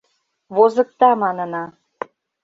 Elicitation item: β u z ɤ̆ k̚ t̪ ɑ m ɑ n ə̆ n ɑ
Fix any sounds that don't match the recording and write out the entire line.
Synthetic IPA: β o z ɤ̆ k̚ t̪ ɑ m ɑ n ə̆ n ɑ